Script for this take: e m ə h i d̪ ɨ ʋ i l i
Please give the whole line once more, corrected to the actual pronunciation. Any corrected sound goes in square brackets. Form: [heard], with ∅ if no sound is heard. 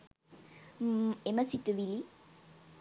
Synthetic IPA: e m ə [s] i [t̪] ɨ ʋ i l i